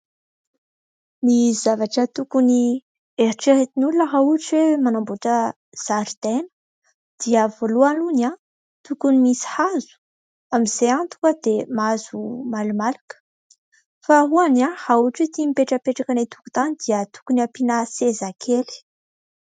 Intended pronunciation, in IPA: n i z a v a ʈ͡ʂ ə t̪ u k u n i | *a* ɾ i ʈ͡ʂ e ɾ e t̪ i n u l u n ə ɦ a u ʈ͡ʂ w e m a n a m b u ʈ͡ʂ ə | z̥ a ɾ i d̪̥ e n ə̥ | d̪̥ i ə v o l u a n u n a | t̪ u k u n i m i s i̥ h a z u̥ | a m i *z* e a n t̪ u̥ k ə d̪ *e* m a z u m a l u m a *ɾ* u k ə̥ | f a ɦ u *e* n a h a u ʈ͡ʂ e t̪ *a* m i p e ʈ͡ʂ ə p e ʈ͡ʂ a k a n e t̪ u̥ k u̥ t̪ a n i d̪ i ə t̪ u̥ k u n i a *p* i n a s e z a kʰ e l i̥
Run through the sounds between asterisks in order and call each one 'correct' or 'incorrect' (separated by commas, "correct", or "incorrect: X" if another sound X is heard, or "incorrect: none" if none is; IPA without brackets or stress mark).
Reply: incorrect: e, correct, correct, incorrect: l, incorrect: a, incorrect: i, correct